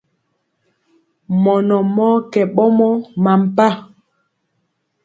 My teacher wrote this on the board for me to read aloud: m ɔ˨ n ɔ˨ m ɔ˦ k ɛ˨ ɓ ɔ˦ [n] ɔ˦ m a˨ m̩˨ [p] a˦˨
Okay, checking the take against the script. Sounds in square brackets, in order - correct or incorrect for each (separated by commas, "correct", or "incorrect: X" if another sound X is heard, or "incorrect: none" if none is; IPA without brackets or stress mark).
incorrect: m, correct